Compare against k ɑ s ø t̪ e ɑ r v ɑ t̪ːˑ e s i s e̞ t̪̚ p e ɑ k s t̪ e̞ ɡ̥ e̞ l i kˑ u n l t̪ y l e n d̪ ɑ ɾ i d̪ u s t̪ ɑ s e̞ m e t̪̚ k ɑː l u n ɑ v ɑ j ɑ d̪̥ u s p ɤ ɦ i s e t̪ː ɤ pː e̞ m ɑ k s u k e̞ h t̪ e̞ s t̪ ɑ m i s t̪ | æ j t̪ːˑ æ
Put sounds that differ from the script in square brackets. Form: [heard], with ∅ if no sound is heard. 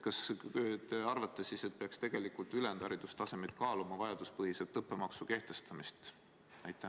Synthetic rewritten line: k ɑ s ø t̪ e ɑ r v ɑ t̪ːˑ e s i s e̞ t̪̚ p e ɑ k s t̪ e̞ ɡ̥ e̞ l i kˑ u [∅] l t̪ y l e n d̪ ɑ ɾ i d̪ u s t̪ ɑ s e̞ m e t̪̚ k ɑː l u [m] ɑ v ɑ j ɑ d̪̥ u s p ɤ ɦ i s e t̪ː ɤ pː e̞ m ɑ k s u k e̞ h t̪ e̞ s t̪ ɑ m i s t̪ | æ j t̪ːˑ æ